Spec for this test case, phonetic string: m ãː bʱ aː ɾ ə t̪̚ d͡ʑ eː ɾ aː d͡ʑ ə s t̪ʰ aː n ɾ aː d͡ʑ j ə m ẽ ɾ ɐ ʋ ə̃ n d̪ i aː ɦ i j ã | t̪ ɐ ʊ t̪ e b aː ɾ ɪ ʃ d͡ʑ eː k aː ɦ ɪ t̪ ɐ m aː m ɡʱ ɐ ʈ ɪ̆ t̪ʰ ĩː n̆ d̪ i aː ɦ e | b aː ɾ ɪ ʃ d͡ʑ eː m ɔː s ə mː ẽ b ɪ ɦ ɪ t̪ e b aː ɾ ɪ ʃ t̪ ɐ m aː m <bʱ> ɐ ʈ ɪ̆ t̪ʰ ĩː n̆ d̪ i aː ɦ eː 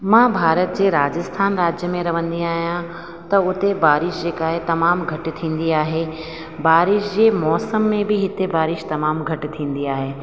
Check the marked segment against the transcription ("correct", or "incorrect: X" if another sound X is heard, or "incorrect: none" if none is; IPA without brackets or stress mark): incorrect: ɡʱ